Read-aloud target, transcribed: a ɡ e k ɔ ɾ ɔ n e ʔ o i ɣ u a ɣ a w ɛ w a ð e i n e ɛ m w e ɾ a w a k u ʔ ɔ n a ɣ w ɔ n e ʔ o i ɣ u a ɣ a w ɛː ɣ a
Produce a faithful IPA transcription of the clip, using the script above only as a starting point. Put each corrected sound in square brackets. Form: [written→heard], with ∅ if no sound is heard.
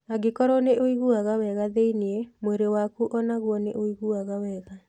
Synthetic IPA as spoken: a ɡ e k ɔ ɾ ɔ n e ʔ o i ɣ u a ɣ a w ɛ [w→ɣ] a ð e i n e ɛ m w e ɾ [a→e] w a k u ʔ ɔ n a ɣ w ɔ n e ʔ o i ɣ u a ɣ a w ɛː ɣ a

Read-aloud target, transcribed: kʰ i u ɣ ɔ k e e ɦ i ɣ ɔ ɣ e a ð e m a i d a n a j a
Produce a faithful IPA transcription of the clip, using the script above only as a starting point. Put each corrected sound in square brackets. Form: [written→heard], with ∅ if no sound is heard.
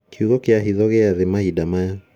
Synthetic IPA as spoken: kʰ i u ɣ ɔ k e [e→a] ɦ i [ɣ→ð] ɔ ɣ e a ð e m a i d a [n→m] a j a

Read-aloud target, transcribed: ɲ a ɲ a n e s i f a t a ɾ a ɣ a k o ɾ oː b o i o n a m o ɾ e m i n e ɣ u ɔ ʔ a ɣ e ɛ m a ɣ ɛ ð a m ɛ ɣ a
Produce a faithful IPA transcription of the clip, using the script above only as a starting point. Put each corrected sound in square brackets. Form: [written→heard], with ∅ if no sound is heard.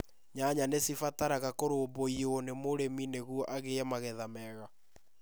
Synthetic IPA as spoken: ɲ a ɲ a n e s i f a t a ɾ a ɣ a k o ɾ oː b o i o n [a→e] m o ɾ e m i n e ɣ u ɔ ʔ a ɣ e ɛ m a ɣ ɛ ð a m ɛ ɣ a

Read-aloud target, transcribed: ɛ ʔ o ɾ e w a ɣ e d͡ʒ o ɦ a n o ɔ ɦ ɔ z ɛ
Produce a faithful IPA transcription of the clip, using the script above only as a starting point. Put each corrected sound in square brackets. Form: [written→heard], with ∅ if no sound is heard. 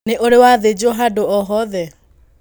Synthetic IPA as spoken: [ɛ→e] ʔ o ɾ e w a [ɣ→ð] e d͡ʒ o ɦ a [n→d] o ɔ ɦ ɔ [z→ð] ɛ

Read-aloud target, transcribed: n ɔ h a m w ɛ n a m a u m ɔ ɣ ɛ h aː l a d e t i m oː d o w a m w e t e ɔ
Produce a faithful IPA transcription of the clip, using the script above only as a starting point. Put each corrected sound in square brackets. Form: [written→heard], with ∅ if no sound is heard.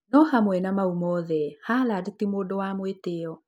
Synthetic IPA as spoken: n ɔ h a m w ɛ n a m a u m ɔ [ɣ→ð] ɛ h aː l a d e t i m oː d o w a m w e t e ɔ

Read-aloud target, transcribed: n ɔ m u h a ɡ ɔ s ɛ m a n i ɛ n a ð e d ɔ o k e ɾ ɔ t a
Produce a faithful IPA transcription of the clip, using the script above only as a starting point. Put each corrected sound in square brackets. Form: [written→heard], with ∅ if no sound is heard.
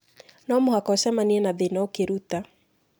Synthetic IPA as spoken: n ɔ m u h a [ɡ→k] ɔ s ɛ m a n i ɛ n a ð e [d→n] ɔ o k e ɾ [ɔ→u] t a

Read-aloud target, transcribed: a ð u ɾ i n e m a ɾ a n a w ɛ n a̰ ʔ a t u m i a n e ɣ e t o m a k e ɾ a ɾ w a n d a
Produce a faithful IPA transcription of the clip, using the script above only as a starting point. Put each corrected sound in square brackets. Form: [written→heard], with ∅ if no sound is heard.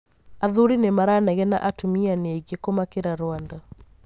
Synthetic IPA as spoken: a ð u ɾ i n e m a ɾ a n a [w→ɣ] ɛ n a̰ ʔ a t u m i a n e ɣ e [t→k] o m a k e ɾ a ɾ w a n d a

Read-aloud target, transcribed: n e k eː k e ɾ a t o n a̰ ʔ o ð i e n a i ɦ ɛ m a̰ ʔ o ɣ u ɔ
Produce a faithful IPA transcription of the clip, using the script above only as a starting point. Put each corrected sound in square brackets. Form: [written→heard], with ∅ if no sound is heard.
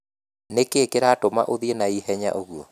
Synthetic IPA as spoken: n e k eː k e ɾ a t o [n→m] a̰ ʔ o ð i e n a i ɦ ɛ [m→ɲ] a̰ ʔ o ɣ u ɔ

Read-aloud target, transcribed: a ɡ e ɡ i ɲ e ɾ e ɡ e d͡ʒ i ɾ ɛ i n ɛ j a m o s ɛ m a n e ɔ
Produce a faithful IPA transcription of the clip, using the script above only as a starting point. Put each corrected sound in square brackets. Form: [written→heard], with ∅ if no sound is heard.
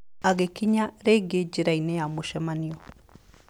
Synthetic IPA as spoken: a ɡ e [ɡ→k] i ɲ [e→a] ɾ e ɡ e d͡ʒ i ɾ [ɛ→a] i n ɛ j a m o [s→ʃ] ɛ m a n [e→i] ɔ

